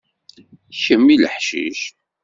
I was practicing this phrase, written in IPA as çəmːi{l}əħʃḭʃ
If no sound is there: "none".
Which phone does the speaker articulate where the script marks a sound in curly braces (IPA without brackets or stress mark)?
l